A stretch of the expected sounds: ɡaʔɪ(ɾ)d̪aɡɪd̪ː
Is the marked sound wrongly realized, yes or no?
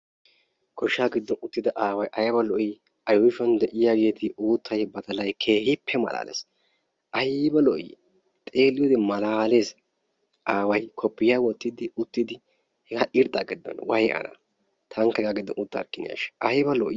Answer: no